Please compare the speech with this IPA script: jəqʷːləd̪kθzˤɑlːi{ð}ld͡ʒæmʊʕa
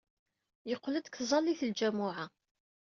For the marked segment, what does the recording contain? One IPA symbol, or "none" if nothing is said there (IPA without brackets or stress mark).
θ